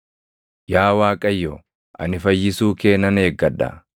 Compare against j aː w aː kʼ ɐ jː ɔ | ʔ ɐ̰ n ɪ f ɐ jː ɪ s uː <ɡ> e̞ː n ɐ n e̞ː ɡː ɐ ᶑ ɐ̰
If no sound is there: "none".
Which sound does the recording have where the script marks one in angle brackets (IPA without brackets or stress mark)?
k